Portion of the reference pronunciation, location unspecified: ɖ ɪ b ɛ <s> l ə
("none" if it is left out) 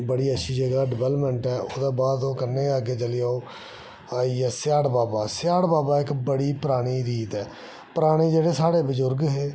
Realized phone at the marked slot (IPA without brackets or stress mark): none